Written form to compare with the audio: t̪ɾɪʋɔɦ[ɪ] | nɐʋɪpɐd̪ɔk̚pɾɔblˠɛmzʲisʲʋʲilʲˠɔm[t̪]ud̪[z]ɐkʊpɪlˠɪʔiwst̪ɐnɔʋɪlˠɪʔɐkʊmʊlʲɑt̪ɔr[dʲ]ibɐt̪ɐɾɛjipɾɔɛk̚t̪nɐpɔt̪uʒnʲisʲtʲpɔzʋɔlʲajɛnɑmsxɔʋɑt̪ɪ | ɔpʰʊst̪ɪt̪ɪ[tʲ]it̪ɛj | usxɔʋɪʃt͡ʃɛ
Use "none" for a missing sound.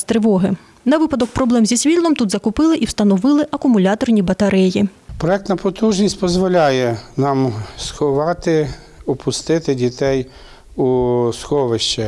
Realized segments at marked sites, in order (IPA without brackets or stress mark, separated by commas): ɪ, t̪, z, nʲ, dʲ